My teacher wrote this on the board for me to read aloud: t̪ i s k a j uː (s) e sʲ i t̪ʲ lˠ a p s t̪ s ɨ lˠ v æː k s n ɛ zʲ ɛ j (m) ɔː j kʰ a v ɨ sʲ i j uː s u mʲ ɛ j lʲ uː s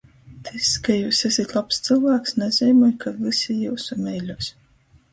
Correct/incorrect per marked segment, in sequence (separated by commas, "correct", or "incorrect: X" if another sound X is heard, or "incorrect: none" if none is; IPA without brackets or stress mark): correct, correct